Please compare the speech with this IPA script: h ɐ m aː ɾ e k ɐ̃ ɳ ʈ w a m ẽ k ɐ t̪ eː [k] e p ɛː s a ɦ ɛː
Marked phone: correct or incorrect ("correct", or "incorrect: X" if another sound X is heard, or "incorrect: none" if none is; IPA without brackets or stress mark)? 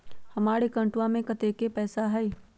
correct